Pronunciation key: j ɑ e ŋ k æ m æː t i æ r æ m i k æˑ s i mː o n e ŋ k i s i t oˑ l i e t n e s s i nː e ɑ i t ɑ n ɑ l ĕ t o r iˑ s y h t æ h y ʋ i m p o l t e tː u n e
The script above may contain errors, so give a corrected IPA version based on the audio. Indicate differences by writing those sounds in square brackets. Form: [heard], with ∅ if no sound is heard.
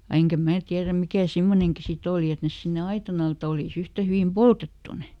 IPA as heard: j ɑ e ŋ k æ m æː t i æ r æ m i k æˑ s i mː o n e ŋ k i s i t oˑ l i e t n e s s i nː e ɑ i t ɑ n ɑ l ĕ t o [l] iˑ s y h t æ h y ʋ i m p o l t e tː u n e